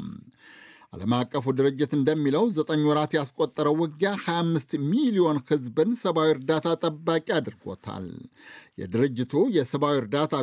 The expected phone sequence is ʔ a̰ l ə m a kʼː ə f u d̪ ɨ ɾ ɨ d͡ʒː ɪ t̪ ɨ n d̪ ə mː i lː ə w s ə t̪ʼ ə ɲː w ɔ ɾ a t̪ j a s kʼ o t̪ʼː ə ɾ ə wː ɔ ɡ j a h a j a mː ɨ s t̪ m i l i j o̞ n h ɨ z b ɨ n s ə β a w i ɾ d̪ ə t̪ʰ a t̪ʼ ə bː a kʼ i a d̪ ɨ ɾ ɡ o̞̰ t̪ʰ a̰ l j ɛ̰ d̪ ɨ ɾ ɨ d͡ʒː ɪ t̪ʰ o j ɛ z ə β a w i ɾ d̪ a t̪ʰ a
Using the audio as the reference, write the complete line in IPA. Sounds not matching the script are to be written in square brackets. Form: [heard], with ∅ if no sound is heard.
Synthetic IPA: ʔ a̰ l ə m a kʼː ə f u d̪ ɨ ɾ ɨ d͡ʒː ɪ t̪ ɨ n d̪ ə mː i [l] ə w [z] ə t̪ʼ ə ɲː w ɔ ɾ a t̪ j a s kʼ o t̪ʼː ə ɾ ə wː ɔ ɡ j a h a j a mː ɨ s t̪ m i l i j o̞ n h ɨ z b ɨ n s ə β a w i ɾ d̪ [a] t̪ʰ a t̪ʼ ə bː a kʼ i a d̪ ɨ ɾ ɡ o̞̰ t̪ʰ a̰ l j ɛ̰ d̪ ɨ ɾ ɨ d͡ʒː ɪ t̪ʰ [u] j ɛ [s] ə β a w i ɾ d̪ a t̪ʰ a